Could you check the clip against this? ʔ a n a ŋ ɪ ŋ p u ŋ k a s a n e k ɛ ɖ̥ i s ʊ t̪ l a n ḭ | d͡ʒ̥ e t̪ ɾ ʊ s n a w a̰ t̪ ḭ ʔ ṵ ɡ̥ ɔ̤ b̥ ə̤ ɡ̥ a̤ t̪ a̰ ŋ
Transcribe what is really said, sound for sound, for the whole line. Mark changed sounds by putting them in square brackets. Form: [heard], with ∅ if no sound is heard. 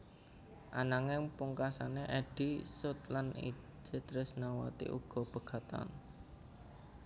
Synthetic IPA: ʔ a n a ŋ ɪ ŋ p u ŋ k a s a n e [ʔ] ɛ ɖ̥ i s ʊ t̪ l a n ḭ | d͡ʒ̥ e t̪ ɾ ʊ s n a w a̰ t̪ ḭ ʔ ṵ ɡ̥ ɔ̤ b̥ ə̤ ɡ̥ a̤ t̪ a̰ [n]